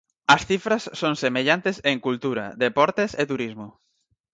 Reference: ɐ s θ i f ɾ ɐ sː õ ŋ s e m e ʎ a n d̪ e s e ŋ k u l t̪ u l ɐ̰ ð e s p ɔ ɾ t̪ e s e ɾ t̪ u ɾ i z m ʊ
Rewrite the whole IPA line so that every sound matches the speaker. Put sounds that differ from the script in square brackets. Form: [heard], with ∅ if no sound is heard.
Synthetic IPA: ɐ s θ i f ɾ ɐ sː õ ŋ s e m e ʎ a n [t̪] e s e ŋ k u l t̪ u [ɾ] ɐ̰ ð e [∅] p ɔ ɾ t̪ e s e [∅] t̪ u ɾ i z m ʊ